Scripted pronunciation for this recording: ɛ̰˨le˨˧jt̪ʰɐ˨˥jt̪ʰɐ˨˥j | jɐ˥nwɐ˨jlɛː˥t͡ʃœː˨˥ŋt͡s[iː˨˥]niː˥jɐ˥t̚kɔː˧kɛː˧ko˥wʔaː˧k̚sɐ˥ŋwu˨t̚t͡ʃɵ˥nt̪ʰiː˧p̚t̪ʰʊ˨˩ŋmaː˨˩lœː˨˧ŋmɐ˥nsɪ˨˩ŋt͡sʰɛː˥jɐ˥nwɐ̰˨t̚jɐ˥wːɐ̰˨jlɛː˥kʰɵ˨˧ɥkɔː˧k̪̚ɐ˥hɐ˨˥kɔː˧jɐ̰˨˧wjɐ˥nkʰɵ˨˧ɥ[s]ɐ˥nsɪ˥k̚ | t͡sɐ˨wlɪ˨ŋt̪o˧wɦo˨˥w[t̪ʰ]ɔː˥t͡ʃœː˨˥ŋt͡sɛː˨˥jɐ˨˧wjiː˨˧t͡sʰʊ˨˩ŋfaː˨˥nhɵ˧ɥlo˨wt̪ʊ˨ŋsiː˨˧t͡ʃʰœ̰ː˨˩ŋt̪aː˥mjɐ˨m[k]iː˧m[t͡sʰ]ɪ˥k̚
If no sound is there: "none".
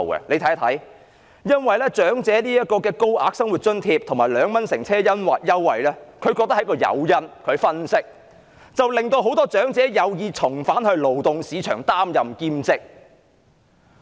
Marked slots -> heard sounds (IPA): ɛː˨˥, f, t̪, k, t͡s

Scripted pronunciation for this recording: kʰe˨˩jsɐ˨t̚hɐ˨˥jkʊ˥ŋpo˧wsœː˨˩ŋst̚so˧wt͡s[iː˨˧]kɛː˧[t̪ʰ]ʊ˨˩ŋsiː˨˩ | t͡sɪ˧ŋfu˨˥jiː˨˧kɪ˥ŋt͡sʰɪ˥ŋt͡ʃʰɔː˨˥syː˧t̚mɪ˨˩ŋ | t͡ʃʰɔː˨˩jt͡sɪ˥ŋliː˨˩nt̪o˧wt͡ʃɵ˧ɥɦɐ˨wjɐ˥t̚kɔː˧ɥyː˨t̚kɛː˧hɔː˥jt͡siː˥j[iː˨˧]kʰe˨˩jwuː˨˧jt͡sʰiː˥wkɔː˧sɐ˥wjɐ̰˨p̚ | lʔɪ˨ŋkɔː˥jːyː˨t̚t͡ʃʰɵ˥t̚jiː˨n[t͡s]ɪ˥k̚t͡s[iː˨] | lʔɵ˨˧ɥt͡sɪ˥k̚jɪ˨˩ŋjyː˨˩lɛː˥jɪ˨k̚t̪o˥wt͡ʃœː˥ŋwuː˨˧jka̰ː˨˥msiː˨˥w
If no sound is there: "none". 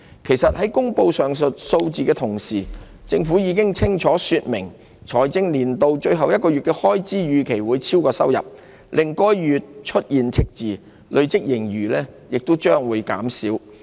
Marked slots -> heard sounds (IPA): iː˨˧, t̪ʰ, yː˨˧, t͡sʰ, iː˨

